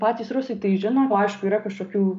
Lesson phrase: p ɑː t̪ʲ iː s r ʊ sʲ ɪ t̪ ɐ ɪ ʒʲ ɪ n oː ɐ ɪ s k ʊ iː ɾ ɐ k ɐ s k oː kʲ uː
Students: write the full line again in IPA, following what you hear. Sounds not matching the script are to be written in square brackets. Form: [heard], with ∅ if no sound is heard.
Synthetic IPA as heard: p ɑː t̪ʲ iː s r ʊ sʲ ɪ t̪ ɐ ɪ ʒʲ ɪ n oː ɐ ɪ [ʃ] k ʊ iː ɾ ɐ k ɐ [ʃ] k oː kʲ uː